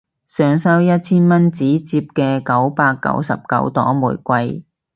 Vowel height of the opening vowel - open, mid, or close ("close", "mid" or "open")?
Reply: mid